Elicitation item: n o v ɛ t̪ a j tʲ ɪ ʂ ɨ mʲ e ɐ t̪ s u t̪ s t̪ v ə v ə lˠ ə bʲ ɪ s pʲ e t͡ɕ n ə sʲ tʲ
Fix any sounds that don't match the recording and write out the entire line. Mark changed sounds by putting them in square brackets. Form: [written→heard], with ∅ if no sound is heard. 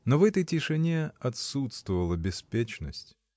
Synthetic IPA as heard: n o v ɛ t̪ [a→ə] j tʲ ɪ ʂ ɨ [mʲ→nʲ] e ɐ t̪ s u t̪ s t̪ v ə v ə lˠ ə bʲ ɪ s pʲ e t͡ɕ n ə sʲ tʲ